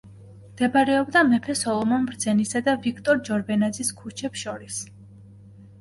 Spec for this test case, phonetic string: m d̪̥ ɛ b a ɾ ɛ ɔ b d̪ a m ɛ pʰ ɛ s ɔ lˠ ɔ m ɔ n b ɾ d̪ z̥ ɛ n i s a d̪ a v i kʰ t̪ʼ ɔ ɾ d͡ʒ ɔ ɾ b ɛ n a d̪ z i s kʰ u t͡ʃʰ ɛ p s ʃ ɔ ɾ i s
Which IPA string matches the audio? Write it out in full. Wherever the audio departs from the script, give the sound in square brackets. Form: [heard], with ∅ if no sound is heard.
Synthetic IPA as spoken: m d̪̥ ɛ b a ɾ ɛ ɔ b d̪ a m ɛ pʰ ɛ s ɔ lˠ ɔ m ɔ n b ɾ d̪ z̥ ɛ n i s a d̪ a v i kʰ t̪ʼ ɔ ɾ d͡ʒ ɔ ɾ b ɛ n a d̪ z i s kʰ u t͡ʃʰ ɛ p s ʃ ɔ ɾ i s